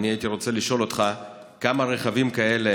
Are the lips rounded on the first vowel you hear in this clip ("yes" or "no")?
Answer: no